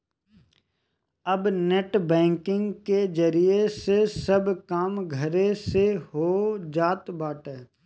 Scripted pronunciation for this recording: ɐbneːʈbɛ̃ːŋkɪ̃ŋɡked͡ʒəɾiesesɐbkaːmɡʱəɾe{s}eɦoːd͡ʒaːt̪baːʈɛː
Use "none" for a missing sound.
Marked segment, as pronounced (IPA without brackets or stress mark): s